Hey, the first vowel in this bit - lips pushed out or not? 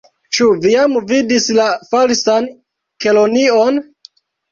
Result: yes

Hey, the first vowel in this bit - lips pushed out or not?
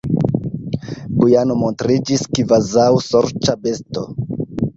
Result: yes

